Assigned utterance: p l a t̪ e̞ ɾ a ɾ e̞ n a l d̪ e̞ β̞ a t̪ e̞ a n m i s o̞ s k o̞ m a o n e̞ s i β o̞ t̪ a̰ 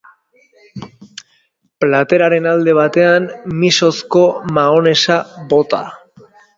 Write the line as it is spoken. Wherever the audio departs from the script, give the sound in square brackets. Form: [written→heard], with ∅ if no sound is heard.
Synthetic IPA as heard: p l a t̪ e̞ ɾ a ɾ e̞ n a l d̪ e̞ β̞ a t̪ e̞ a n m i s o̞ s k o̞ m a o n e̞ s [i→a] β o̞ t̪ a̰